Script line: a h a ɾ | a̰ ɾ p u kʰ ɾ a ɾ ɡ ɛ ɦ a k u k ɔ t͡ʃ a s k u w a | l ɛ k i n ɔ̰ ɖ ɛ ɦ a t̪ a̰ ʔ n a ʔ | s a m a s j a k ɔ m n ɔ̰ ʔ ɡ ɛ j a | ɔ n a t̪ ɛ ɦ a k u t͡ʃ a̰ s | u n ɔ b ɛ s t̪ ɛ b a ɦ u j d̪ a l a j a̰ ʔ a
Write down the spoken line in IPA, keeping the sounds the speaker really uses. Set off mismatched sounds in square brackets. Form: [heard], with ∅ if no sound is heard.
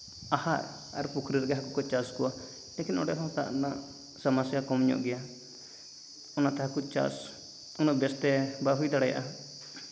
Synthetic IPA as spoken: a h a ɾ | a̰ ɾ p u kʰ ɾ [i] ɾ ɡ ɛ ɦ a k u k ɔ t͡ʃ a s k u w a | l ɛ k i n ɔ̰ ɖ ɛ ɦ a t̪ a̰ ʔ n a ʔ | s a m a s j a k ɔ m [ɲ] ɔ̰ ʔ ɡ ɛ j a | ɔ n a t̪ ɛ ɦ a k u t͡ʃ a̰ s | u n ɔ b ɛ s t̪ ɛ b a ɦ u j d̪ a [ɽ] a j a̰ ʔ a